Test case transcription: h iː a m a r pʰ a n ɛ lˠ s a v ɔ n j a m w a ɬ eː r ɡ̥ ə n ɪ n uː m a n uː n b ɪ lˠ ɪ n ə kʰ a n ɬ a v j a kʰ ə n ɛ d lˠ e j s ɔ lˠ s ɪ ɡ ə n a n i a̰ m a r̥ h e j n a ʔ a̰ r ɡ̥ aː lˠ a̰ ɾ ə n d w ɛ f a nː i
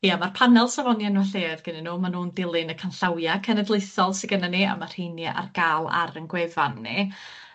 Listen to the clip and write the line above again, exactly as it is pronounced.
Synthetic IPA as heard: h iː a m a r pʰ a n ɛ lˠ s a v ɔ n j a n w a ɬ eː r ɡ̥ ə n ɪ n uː m a n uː n d ɪ lˠ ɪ n ə kʰ a n ɬ a w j a kʰ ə n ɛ d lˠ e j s ɔ lˠ s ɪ ɡ ə n a n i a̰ m a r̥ h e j n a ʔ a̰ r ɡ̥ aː lˠ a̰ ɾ ə n ɡ w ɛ v a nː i